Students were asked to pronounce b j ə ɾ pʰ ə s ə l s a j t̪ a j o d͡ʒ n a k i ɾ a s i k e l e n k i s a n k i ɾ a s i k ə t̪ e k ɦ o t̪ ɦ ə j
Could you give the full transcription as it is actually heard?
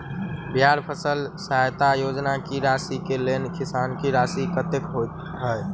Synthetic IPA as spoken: b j a ɾ pʰ ə s ə l s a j t̪ a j o d͡ʒ n a k i ɾ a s i k e l e n k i s a n k i ɾ a s i k ə t̪ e k ɦ o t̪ ɦ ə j